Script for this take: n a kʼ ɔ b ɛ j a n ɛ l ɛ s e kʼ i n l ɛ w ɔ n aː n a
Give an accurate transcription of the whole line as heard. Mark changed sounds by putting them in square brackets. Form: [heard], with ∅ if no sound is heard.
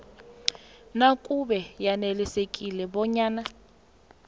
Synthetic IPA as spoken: n a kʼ [u] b ɛ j a n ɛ l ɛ s e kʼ i [∅] l ɛ [b] ɔ [ɲ] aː n a